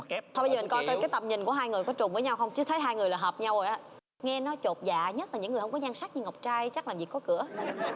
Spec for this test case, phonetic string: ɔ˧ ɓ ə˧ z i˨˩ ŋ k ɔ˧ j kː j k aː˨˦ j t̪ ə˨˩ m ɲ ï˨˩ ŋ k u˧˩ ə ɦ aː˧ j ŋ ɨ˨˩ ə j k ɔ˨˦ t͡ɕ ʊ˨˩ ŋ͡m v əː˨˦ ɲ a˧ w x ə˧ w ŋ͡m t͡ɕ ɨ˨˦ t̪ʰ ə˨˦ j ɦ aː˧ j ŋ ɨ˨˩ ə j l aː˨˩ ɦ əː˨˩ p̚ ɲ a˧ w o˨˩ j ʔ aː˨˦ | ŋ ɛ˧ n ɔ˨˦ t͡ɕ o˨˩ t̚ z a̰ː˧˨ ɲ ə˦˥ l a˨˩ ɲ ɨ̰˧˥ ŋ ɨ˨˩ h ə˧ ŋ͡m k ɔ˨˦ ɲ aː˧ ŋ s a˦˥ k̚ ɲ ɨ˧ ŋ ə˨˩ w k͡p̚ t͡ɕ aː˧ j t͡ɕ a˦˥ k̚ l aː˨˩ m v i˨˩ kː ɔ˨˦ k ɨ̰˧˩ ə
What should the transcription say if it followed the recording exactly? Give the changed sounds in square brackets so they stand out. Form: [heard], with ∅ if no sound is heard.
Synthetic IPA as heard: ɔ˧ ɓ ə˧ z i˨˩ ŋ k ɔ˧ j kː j k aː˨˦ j t̪ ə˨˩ m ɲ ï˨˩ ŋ k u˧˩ ə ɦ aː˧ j ŋ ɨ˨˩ ə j k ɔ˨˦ t͡ɕ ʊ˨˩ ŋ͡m v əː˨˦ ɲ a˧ w x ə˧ w ŋ͡m t͡ɕ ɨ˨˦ t̪ʰ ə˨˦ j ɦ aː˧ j ŋ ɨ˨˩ ə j l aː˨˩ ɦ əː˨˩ p̚ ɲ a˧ w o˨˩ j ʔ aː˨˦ | ŋ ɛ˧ n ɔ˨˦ t͡ɕ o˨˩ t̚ z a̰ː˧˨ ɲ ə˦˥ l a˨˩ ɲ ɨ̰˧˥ ŋ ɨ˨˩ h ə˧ ŋ͡m k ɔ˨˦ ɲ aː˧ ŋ s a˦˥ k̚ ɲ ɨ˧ ŋ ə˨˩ w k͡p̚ t͡ɕ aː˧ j t͡ɕ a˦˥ k̚ l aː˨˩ m v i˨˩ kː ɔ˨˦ k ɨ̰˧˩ ə